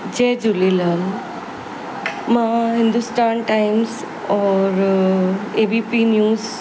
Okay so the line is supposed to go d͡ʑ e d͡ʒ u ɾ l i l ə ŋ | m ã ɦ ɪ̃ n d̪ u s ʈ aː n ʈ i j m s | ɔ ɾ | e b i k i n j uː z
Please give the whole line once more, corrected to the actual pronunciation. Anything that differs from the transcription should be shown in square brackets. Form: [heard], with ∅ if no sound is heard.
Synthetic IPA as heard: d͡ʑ e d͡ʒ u [∅] l i l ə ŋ | m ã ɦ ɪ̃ n d̪ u s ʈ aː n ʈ [a] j m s | ɔ ɾ | e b i [p] i n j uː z